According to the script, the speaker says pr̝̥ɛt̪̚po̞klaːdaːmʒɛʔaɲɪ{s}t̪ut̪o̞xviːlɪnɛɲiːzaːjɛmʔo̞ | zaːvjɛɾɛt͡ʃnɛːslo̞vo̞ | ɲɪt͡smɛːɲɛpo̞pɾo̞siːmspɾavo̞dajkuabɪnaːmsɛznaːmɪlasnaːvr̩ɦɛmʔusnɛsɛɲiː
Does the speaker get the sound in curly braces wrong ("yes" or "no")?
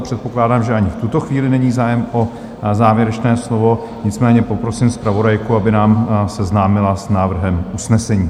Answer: yes